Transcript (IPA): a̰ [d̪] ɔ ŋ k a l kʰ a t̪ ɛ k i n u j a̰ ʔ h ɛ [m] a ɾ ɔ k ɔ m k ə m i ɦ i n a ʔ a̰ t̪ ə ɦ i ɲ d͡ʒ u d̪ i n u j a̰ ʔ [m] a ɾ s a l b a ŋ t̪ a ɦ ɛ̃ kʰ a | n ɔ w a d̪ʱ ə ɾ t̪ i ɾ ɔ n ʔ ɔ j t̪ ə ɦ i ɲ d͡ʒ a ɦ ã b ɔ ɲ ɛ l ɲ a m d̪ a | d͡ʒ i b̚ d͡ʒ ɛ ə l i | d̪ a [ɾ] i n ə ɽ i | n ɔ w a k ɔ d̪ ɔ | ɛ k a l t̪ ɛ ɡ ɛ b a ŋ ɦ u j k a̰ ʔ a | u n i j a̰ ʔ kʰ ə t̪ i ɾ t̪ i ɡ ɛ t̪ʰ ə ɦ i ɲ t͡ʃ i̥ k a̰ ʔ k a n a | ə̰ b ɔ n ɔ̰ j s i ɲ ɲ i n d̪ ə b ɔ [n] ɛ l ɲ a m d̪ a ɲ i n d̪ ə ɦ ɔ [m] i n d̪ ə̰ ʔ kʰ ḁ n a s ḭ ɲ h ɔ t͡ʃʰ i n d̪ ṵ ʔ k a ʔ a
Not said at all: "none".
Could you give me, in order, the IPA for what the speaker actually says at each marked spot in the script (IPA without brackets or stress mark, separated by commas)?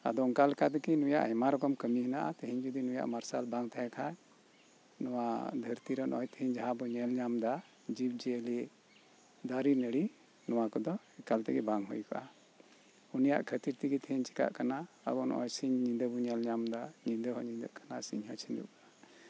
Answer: d̪, m, m, ɾ, ɲ, ɲ